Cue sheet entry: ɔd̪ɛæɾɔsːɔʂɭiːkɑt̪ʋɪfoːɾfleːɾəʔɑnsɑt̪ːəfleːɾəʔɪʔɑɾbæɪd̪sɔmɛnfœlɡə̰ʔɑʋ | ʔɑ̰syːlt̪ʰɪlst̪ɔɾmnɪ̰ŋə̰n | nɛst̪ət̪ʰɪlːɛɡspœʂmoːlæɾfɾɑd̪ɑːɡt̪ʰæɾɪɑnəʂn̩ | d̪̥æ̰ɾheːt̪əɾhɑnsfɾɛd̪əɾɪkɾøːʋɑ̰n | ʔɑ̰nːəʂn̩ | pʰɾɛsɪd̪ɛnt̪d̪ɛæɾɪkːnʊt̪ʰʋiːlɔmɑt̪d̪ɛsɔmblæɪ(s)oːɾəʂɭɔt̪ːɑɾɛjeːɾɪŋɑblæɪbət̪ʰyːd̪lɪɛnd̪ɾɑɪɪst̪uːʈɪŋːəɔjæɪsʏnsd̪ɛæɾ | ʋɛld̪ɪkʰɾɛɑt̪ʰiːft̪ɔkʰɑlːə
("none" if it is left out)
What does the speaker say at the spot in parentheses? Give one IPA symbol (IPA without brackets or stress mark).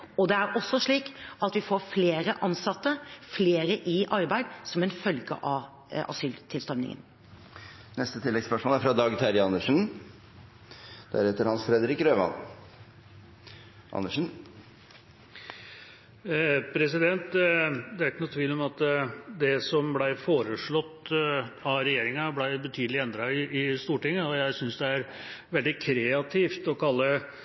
f